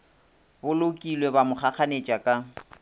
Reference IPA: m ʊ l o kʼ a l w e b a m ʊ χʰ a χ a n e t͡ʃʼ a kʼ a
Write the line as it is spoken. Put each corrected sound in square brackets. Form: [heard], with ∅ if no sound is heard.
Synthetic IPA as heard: [b] ʊ l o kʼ [i] l w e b a m ʊ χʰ a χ a n e t͡ʃʼ a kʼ a